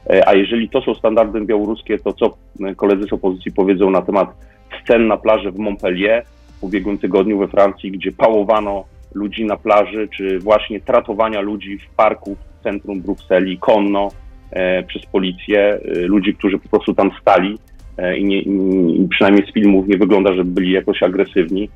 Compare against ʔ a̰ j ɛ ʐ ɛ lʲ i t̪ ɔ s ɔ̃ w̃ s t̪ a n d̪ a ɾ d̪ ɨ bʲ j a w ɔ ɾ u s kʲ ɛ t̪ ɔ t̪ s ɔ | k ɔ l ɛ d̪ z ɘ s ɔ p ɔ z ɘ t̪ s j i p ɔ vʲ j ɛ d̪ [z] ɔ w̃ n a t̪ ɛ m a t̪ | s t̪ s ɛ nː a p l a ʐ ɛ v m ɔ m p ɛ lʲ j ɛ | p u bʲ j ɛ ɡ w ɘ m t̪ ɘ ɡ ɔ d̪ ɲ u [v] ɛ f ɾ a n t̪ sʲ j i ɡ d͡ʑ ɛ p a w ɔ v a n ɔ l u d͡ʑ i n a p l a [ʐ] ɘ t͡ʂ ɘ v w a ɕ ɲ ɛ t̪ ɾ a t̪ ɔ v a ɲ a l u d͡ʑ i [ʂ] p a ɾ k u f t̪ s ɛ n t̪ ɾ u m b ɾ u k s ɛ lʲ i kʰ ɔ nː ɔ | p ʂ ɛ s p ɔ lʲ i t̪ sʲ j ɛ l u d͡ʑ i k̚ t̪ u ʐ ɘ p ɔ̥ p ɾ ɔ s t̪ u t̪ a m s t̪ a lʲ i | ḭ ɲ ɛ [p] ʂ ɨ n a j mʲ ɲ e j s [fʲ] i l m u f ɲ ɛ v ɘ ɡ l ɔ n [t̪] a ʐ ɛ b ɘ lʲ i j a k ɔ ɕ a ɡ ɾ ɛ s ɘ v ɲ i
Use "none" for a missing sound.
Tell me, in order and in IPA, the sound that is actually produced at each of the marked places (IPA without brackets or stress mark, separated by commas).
z, v, ʐ, f, p, fʲ, d̪